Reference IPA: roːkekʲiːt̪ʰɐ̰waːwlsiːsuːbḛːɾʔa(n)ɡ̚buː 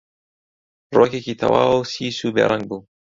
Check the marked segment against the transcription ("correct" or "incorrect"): incorrect